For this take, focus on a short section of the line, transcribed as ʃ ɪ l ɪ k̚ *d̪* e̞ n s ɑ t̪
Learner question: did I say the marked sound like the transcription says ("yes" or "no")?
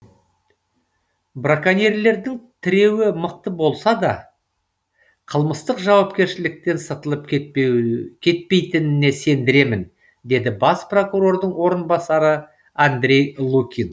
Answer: no